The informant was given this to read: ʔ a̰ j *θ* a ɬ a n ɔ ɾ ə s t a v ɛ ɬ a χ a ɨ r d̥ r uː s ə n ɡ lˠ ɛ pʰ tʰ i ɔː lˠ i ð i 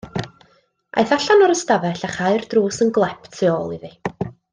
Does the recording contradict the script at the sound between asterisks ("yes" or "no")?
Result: no